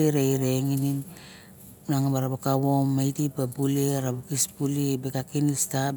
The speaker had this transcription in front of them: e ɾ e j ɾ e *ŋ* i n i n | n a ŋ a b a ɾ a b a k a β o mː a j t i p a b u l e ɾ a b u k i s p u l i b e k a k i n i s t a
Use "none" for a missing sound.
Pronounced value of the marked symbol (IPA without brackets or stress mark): ŋ